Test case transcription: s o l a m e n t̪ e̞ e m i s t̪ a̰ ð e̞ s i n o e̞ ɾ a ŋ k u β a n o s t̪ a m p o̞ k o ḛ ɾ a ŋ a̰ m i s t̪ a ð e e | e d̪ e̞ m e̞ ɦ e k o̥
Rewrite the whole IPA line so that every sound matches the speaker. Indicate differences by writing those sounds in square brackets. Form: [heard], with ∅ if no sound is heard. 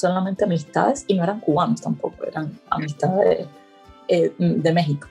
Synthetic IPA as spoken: s o l a m e n t̪ e̞ [a] m i s t̪ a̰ ð e̞ s i n o e̞ ɾ a ŋ k u β a n o s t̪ a m p o̞ k o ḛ ɾ a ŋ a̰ m i s t̪ a ð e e | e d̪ e̞ m e̞ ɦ [i] k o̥